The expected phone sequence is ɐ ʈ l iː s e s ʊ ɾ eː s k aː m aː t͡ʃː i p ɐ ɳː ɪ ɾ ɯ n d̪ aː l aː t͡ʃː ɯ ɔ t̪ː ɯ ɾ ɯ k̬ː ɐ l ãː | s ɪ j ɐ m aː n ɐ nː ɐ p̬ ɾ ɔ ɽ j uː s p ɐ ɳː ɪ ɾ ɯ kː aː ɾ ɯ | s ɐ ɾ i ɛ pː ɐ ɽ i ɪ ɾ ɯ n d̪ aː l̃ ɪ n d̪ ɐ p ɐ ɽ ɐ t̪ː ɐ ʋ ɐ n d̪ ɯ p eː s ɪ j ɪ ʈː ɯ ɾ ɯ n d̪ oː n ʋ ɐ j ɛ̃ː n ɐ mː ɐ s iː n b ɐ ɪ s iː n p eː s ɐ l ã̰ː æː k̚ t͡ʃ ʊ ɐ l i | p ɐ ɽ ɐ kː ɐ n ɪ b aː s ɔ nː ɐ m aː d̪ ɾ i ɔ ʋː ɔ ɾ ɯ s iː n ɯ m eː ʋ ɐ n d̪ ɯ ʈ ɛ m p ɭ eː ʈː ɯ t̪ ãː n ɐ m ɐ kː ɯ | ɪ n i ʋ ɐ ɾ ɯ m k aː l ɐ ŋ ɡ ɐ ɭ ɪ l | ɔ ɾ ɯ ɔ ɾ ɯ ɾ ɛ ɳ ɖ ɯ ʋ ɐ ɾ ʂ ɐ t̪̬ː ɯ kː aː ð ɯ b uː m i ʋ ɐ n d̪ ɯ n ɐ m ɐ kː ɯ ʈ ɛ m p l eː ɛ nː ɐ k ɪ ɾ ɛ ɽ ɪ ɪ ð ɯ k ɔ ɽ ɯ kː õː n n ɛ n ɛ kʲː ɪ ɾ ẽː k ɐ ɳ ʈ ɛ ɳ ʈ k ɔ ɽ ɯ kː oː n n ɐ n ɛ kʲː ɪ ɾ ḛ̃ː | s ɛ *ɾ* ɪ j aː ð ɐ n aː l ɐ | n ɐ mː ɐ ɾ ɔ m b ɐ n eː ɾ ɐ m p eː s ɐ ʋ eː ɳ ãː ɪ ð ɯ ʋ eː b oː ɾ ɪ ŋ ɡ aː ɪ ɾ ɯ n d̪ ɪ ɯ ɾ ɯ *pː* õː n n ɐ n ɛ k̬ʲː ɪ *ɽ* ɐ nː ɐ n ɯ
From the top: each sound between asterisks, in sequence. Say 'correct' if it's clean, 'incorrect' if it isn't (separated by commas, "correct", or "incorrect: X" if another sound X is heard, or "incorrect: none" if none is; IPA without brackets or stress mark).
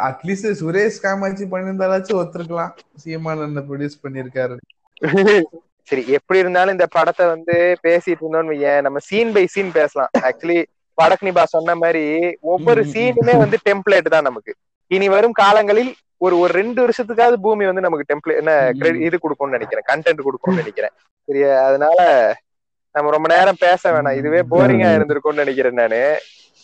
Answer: correct, incorrect: kː, incorrect: ɾ